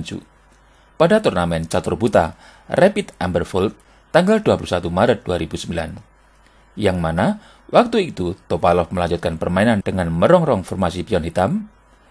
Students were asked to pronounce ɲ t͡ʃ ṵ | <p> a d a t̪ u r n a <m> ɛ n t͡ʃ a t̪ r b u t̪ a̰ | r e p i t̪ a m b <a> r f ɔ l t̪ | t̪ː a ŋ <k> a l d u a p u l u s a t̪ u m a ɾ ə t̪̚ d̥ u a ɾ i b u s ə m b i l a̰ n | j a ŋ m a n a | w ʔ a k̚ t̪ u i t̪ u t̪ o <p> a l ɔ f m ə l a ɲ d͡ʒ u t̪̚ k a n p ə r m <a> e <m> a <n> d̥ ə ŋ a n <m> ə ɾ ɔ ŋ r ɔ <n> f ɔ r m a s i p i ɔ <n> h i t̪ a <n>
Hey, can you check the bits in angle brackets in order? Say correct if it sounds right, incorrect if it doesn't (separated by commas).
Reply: correct, correct, incorrect, incorrect, correct, correct, incorrect, correct, correct, incorrect, correct, incorrect